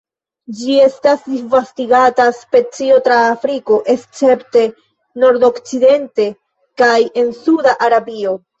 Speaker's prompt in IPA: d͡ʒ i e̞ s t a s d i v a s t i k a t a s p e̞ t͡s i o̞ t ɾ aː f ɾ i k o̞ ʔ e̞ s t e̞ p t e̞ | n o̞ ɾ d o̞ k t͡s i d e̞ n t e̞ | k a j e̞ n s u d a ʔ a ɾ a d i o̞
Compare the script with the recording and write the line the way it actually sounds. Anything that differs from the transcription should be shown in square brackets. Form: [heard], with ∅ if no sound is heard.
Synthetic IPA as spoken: d͡ʒ i e̞ s t a s d i v a s t i [ɡ] a t a s p e̞ t͡s i o̞ t ɾ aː f ɾ i k o̞ ʔ e̞ s [t͡s] e̞ p t e̞ | n o̞ ɾ d o̞ k t͡s i d e̞ n t e̞ | k a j e̞ n s u d a ʔ a ɾ a [b] i o̞